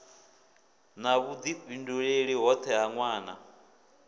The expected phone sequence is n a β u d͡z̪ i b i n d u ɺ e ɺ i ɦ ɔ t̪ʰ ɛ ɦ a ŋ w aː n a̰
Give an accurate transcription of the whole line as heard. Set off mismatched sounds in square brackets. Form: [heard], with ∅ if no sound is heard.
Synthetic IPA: n a β u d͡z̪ i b i n d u ɺ e ɺ i ɦ ɔ t̪ʰ ɛ ɦ a ŋ w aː n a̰